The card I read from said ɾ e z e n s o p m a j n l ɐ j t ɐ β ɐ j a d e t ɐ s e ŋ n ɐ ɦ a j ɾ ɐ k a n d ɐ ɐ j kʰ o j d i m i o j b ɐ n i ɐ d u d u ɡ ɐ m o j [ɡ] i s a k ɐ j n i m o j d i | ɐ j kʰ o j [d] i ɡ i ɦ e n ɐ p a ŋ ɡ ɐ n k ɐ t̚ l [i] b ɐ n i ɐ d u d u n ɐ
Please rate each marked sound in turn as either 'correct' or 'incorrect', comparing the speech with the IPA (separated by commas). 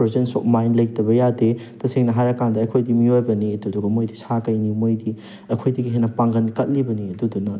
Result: incorrect, correct, correct